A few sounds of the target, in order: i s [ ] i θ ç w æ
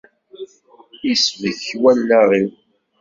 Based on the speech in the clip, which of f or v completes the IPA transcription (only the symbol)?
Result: v